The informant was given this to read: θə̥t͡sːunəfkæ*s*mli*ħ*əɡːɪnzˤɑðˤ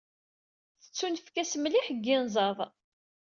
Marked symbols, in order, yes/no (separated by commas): yes, yes